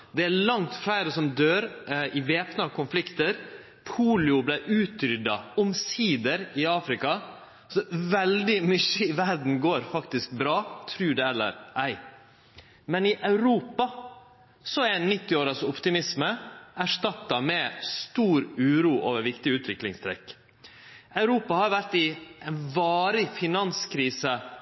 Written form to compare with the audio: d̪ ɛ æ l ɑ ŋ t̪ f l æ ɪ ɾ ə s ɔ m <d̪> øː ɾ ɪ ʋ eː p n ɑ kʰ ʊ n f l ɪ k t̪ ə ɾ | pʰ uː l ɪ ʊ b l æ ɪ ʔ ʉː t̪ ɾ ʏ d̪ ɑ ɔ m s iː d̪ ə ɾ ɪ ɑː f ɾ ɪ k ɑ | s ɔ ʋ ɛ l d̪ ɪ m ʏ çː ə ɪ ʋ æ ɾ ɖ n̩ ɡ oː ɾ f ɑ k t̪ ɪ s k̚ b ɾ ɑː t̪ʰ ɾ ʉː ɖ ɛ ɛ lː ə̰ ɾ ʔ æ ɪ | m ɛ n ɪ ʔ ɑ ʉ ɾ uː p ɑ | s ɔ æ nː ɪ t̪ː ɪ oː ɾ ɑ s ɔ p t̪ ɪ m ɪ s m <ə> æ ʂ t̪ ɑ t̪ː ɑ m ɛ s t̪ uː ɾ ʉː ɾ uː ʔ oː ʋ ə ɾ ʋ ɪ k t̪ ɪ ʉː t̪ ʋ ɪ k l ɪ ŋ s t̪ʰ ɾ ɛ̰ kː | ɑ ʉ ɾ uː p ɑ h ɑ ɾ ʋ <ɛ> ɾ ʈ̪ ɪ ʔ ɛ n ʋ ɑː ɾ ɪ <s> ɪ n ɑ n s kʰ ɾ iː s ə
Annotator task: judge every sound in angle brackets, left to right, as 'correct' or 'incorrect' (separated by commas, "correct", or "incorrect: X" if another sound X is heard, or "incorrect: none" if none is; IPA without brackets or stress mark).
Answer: correct, correct, incorrect: æ, incorrect: f